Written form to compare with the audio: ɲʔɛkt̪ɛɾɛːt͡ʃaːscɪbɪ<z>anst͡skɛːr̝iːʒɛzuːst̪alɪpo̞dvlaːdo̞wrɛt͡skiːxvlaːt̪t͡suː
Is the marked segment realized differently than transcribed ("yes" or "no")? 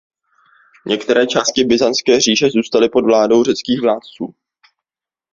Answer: no